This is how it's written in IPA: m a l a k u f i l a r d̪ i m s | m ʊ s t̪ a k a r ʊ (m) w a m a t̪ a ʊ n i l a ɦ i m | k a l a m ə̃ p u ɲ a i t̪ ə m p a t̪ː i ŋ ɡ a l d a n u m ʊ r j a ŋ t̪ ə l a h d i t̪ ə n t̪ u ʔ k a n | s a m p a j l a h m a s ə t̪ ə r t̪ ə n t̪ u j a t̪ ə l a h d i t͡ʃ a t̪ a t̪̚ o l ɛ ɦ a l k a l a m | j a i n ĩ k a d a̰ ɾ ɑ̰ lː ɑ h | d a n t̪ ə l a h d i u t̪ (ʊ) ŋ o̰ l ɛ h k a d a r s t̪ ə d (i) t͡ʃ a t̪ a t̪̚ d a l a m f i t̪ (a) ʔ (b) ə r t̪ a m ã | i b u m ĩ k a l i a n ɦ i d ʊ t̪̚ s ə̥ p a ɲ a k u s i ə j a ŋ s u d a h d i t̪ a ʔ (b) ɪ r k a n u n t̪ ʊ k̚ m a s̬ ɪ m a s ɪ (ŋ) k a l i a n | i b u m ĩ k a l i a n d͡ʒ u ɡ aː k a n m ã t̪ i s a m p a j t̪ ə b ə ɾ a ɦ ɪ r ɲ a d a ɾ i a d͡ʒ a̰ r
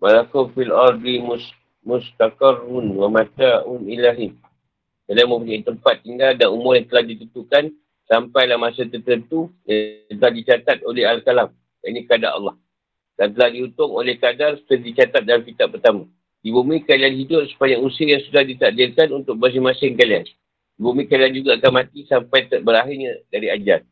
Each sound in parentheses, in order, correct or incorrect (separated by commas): incorrect, correct, correct, correct, incorrect, incorrect, correct